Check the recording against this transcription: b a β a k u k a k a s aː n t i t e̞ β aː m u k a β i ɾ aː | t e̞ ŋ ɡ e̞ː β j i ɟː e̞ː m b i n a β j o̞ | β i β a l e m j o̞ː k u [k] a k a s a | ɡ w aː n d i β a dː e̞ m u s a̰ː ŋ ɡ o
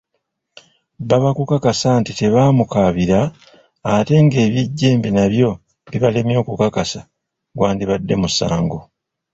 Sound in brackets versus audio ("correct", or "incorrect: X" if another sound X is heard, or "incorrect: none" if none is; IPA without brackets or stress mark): correct